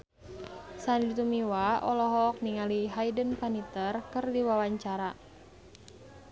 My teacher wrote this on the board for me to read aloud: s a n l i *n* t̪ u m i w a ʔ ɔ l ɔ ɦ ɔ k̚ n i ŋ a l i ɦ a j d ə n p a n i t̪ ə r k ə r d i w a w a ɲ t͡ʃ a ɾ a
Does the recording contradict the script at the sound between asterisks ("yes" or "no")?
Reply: yes